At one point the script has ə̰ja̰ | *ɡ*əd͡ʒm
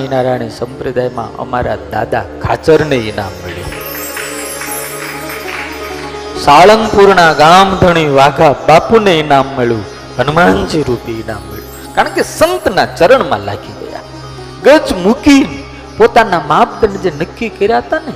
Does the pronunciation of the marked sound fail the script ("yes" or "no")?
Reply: no